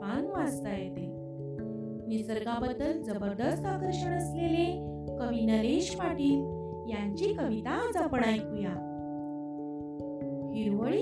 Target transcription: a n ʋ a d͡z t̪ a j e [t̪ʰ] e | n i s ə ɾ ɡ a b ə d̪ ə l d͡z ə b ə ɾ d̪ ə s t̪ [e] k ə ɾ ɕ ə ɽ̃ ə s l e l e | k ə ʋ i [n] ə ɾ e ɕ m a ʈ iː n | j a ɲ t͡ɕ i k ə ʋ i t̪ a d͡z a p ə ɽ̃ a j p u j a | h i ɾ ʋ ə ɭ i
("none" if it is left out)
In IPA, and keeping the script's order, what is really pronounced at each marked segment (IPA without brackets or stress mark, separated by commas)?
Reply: t̪, a, n